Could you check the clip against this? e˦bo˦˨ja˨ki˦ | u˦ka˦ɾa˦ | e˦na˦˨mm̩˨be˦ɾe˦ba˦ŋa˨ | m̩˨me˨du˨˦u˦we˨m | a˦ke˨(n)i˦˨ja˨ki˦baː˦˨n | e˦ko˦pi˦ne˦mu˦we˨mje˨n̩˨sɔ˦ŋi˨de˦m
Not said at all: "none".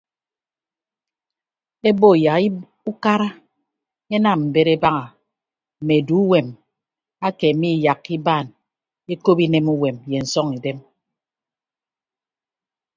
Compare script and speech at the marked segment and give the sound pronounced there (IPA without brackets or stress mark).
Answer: m